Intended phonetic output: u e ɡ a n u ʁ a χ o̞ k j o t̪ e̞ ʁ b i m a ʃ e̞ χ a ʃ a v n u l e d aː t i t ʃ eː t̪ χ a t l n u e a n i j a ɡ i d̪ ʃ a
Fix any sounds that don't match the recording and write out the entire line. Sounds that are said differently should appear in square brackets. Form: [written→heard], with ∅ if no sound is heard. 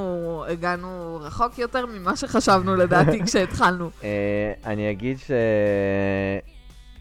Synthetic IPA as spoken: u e ɡ a n u ʁ a χ o̞ k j o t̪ e̞ ʁ [b→m] i m a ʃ e̞ χ a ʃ a v n u l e d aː t i [t→k] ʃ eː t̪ χ a [t→∅] l n u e a n i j a ɡ i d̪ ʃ [a→e]